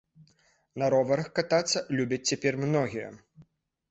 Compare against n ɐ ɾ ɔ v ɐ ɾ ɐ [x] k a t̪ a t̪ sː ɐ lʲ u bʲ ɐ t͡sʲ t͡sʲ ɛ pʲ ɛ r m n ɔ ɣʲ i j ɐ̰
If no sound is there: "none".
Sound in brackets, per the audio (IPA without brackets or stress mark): x